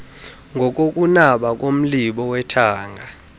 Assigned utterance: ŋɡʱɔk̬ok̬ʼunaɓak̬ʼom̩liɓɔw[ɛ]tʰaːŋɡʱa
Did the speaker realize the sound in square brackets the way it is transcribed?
yes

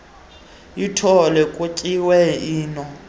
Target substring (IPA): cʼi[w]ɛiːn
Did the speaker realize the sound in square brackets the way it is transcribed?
yes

